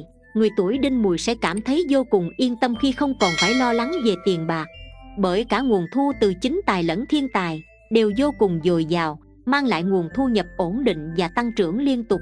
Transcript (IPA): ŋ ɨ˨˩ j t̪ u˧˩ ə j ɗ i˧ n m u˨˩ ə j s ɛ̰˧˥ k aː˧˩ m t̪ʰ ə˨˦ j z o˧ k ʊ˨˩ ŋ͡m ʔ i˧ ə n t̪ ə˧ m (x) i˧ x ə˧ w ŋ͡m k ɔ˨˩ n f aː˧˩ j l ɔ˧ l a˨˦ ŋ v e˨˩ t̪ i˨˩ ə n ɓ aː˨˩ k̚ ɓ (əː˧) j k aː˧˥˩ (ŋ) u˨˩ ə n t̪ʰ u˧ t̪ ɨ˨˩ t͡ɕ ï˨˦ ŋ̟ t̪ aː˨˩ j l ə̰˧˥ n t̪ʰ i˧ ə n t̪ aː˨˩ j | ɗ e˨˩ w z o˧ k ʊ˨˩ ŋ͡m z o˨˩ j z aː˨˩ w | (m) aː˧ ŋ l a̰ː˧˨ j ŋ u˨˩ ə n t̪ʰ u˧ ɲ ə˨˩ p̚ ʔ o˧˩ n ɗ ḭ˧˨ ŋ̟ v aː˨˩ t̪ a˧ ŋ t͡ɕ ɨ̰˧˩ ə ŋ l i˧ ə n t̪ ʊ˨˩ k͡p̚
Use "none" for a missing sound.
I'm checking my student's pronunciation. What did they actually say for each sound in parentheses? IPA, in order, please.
x, əː˧˩, ŋ, m

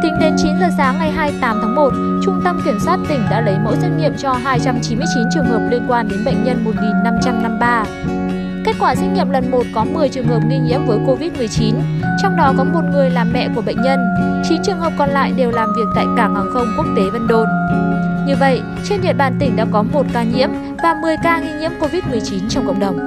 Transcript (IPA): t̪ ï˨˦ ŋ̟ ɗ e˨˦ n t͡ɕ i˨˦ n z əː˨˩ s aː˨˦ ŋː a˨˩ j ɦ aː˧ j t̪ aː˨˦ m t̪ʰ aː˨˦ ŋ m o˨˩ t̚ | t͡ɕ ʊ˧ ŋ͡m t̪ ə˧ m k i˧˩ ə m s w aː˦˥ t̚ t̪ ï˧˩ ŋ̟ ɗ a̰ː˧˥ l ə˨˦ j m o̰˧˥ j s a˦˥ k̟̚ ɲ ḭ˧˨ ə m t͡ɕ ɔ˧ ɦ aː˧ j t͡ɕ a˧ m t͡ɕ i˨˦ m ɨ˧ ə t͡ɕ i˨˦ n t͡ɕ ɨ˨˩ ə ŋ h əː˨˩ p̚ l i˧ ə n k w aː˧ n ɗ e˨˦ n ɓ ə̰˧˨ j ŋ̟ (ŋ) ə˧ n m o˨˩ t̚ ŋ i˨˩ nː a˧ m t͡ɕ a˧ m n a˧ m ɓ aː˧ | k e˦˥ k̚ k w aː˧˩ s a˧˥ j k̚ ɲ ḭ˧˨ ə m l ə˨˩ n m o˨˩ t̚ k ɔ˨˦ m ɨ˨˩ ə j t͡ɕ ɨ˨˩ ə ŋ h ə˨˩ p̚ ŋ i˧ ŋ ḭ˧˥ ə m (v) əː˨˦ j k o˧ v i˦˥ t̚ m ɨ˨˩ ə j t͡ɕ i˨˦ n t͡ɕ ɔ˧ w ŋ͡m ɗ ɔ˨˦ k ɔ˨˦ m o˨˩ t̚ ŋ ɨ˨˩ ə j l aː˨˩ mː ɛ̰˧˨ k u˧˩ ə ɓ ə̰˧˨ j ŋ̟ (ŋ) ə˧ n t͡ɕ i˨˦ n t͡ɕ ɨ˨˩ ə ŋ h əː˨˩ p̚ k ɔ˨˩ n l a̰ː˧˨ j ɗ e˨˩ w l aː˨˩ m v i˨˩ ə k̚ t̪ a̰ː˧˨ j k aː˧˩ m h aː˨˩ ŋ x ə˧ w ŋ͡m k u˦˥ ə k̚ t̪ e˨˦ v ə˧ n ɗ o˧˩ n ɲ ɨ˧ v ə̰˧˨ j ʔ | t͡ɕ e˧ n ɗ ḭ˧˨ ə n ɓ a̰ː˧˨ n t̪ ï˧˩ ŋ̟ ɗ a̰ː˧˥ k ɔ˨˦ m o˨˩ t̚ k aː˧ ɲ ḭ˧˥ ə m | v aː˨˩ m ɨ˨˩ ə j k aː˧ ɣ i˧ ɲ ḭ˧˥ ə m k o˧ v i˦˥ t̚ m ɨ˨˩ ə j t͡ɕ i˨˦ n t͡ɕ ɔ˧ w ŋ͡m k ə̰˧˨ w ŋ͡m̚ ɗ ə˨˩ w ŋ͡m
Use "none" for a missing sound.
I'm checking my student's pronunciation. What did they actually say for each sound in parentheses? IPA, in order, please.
ɲ, v, ɲ

